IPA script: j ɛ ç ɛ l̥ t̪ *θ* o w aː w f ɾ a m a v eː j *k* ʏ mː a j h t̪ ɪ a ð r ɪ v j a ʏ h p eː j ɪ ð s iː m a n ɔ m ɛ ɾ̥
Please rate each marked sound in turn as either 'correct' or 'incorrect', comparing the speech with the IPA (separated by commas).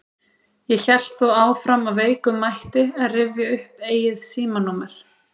correct, correct